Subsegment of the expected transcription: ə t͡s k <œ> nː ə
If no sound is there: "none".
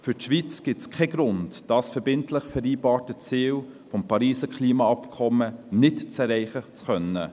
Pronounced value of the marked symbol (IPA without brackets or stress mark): œ